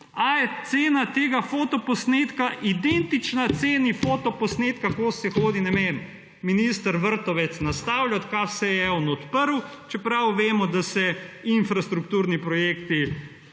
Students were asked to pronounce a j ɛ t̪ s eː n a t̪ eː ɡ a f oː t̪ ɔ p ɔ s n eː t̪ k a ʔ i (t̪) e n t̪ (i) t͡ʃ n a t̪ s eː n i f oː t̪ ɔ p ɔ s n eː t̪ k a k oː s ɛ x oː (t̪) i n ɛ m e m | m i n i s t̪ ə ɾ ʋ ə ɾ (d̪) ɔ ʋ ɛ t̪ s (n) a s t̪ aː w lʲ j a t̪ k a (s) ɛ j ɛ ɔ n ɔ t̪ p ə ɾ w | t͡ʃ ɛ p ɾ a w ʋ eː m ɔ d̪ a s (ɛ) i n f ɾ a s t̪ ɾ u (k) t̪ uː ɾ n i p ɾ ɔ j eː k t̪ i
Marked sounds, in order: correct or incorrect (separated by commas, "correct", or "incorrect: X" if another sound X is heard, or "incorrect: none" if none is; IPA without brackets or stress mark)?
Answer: incorrect: d̪, correct, incorrect: d̪, incorrect: t̪, correct, correct, correct, correct